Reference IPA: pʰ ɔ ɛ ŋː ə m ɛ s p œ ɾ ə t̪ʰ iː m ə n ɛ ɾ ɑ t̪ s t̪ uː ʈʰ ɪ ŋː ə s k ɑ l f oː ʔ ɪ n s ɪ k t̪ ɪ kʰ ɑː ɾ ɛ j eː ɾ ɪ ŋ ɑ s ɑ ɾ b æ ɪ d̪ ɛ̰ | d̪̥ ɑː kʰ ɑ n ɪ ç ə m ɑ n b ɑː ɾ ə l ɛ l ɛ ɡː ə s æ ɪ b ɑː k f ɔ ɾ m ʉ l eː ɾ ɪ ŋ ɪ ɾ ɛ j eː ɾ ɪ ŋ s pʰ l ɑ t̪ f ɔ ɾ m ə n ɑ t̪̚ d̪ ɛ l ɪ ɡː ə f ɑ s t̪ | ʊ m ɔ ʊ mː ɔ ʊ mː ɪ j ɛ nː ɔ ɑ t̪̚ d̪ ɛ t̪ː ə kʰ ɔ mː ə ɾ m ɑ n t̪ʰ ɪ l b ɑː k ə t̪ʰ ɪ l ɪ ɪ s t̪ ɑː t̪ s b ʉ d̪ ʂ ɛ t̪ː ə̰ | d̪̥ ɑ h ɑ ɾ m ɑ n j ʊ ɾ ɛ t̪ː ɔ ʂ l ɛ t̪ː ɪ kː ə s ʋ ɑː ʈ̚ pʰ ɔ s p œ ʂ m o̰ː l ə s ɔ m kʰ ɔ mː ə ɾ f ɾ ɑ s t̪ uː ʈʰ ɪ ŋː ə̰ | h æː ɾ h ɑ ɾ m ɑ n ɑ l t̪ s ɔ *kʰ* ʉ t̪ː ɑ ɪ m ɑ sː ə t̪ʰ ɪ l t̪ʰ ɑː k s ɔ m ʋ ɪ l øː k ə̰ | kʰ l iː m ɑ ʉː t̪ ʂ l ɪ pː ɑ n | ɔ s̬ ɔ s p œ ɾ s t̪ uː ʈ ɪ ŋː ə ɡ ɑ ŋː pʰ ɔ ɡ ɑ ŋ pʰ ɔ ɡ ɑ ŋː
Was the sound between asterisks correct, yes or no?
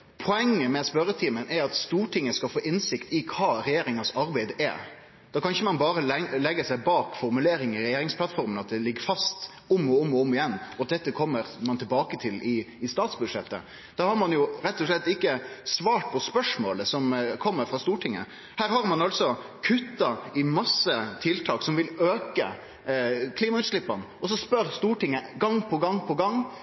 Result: yes